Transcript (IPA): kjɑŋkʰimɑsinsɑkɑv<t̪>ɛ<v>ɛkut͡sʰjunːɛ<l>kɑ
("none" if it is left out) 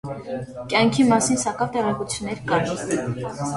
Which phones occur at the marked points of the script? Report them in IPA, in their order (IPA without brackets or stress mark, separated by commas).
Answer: t̪, ʁ, ɾ